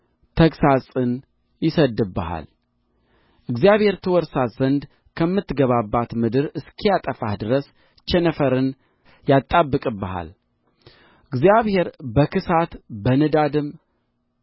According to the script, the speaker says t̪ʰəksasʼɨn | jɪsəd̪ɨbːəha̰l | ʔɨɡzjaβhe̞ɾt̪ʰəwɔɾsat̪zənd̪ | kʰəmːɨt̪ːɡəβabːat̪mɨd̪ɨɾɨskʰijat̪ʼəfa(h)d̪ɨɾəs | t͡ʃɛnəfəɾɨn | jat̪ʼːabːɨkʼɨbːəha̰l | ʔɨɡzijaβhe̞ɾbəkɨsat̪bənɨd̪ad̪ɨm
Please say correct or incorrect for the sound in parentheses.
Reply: correct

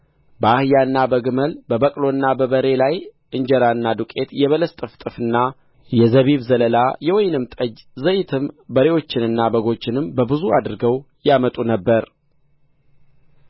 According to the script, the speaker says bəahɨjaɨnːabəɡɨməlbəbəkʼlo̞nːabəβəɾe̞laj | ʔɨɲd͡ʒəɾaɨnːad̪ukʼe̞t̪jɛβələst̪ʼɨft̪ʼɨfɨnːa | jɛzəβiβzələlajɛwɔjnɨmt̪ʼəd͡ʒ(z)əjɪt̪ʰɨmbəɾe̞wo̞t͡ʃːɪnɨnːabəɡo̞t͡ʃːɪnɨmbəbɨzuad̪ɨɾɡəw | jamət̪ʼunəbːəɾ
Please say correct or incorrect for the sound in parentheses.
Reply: correct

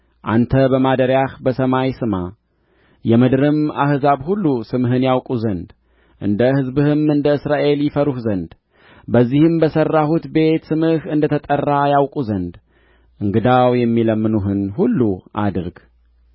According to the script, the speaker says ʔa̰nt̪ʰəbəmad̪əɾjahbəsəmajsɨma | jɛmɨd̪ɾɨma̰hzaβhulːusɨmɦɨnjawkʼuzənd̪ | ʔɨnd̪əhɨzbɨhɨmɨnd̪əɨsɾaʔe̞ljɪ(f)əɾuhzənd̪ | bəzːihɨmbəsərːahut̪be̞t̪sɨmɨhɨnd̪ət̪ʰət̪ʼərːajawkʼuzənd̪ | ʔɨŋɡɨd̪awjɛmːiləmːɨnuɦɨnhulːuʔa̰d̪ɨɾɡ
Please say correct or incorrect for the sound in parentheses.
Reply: correct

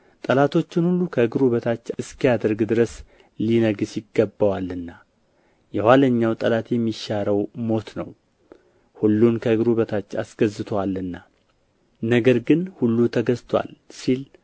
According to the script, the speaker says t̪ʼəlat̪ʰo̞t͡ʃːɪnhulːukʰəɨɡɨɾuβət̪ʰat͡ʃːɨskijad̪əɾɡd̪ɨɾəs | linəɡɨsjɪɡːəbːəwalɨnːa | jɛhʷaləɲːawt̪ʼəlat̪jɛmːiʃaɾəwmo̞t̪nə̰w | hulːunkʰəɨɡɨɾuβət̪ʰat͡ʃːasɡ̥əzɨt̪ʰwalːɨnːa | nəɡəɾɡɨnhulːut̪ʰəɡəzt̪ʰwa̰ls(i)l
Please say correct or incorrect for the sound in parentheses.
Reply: correct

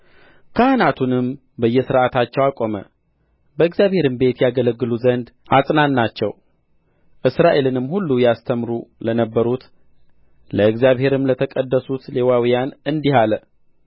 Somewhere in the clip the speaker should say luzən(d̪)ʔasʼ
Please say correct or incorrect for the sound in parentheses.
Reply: correct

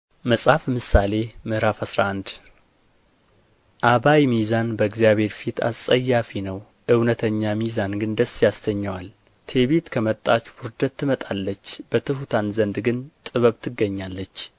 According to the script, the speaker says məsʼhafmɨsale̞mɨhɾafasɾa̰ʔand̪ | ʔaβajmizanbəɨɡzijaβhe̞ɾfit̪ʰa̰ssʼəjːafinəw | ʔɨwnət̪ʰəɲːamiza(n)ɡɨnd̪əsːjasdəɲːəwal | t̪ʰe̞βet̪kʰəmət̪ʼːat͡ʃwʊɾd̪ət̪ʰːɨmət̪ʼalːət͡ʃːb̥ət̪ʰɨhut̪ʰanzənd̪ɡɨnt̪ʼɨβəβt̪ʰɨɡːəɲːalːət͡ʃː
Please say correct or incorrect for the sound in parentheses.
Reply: correct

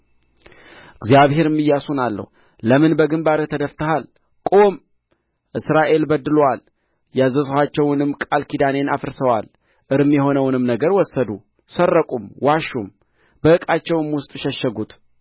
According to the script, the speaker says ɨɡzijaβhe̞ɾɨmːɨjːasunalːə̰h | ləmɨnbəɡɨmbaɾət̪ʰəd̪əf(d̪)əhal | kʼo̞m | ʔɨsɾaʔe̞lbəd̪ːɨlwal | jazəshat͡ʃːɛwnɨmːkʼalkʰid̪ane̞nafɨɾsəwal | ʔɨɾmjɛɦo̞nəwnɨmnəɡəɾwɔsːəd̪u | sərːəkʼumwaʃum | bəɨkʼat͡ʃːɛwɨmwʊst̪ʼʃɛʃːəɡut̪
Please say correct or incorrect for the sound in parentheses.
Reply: incorrect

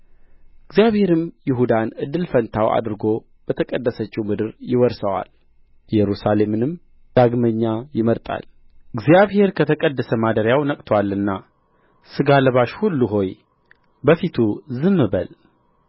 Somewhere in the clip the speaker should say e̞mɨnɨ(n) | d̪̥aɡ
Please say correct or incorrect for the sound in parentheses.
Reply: incorrect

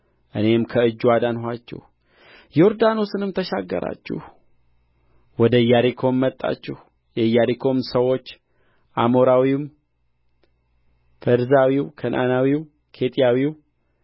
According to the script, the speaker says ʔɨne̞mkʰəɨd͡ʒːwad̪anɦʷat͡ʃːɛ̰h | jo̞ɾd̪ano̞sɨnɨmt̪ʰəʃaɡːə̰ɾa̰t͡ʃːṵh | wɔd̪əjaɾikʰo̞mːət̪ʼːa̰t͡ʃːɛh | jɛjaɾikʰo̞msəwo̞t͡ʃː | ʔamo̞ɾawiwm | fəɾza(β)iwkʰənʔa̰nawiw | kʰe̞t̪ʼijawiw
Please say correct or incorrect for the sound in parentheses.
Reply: incorrect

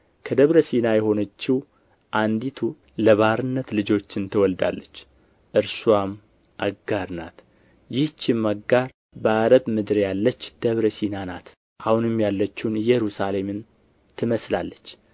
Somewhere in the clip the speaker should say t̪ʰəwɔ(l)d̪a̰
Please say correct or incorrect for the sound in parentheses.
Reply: correct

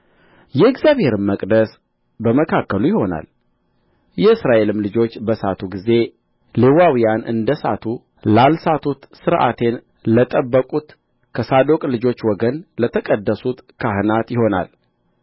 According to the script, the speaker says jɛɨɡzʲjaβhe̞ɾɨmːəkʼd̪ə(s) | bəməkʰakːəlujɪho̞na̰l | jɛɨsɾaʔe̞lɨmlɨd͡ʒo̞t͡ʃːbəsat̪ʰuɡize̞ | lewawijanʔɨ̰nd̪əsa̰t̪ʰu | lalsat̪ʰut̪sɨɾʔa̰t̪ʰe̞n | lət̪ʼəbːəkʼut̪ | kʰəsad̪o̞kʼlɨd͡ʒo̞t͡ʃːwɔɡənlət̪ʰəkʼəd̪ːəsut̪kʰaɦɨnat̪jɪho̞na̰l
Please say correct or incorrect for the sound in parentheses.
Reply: correct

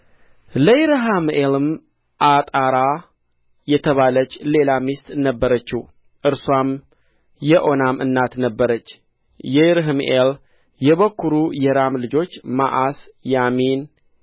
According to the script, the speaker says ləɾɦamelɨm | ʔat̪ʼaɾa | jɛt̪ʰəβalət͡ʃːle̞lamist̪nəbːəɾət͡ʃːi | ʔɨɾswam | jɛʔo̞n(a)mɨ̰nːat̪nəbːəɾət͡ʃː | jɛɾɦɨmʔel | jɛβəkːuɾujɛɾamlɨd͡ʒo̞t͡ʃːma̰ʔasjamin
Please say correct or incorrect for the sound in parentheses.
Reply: correct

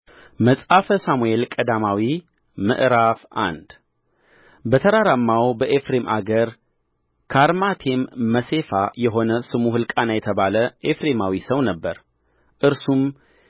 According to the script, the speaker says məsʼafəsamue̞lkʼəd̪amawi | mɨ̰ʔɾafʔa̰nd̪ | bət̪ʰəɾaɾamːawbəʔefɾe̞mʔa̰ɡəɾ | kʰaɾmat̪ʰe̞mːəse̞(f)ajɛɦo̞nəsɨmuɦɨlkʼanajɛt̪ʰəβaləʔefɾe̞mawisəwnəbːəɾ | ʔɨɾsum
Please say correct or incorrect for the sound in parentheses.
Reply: correct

